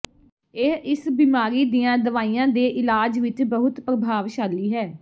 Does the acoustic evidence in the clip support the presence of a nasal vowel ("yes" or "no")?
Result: yes